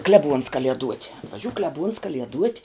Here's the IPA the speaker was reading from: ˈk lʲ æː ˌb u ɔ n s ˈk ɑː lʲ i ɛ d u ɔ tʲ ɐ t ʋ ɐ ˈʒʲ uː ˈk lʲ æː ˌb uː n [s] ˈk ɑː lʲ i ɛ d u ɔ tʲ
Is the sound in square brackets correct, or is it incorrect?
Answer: correct